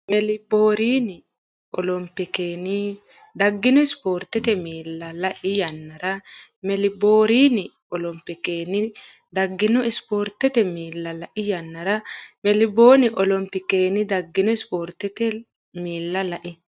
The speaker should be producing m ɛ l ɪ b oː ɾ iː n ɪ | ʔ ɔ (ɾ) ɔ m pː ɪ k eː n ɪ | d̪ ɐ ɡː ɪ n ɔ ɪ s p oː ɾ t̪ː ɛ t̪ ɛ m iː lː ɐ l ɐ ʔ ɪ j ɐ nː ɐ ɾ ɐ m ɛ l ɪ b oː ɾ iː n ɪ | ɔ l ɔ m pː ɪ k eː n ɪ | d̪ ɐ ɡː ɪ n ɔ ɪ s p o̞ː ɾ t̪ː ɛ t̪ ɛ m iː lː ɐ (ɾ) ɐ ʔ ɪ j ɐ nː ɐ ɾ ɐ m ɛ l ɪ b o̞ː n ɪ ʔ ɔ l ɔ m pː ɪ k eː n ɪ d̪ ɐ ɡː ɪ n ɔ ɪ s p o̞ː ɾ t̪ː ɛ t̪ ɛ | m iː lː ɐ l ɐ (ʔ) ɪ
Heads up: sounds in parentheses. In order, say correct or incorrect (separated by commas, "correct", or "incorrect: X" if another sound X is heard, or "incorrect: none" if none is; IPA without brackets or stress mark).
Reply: incorrect: l, incorrect: l, correct